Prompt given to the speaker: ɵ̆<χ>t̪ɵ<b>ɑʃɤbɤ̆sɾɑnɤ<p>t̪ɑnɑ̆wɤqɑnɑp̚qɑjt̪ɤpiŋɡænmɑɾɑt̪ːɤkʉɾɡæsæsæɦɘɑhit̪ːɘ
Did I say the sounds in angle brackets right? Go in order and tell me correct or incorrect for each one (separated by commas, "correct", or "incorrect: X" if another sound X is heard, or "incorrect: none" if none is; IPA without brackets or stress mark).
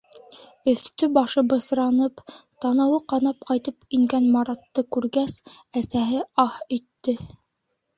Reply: incorrect: θ, correct, correct